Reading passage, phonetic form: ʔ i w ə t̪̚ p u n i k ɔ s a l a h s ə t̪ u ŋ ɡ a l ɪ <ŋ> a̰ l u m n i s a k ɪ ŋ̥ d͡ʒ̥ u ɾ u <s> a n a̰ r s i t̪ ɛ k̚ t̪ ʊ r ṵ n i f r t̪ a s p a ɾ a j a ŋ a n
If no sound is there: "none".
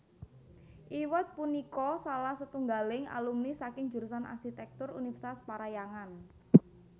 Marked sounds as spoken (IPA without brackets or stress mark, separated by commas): ŋ, s